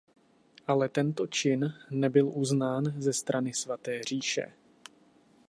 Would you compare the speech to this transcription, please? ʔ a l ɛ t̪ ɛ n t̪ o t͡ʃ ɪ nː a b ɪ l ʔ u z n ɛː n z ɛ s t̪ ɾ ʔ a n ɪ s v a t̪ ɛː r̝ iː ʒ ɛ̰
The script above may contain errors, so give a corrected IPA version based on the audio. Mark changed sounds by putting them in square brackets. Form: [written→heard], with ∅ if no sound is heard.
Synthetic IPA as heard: ʔ a l ɛ t̪ ɛ n t̪ o t͡ʃ ɪ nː [a→ɛ] b ɪ l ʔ u z n [ɛː→aː] n z ɛ s t̪ ɾ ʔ a n ɪ s v a t̪ ɛː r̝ iː [ʒ→ʃ] ɛ̰